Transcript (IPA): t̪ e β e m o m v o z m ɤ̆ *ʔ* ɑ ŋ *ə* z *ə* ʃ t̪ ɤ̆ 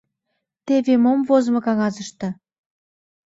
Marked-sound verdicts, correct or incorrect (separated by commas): incorrect, incorrect, correct